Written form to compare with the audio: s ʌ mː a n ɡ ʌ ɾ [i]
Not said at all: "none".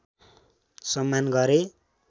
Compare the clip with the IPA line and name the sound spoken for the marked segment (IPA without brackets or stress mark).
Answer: e